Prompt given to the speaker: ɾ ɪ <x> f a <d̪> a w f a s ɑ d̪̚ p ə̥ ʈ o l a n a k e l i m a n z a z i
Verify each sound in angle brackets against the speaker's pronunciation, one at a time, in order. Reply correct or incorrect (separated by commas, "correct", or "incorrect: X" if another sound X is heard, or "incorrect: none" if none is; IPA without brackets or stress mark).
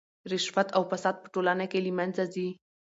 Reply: incorrect: ʃ, incorrect: t̪